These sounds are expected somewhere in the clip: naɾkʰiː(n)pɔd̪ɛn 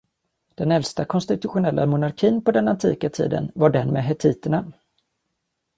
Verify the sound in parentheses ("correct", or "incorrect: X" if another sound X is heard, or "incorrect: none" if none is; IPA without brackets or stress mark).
correct